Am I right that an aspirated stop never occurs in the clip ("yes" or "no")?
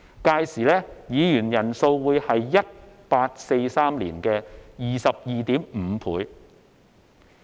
no